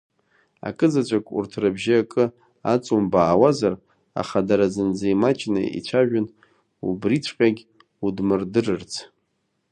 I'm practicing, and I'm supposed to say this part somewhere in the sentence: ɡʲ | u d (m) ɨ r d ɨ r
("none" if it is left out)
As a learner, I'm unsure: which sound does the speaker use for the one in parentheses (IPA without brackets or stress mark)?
m